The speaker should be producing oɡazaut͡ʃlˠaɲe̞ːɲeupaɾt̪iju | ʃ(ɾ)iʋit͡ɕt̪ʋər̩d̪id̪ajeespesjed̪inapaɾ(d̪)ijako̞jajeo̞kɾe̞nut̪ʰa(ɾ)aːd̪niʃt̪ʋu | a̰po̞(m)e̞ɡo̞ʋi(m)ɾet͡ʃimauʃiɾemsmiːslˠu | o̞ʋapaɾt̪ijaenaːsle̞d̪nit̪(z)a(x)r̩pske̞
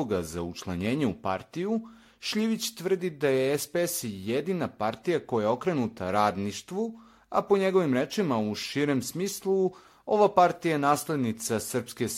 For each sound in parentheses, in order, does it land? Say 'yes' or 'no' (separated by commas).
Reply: no, no, yes, no, yes, no, no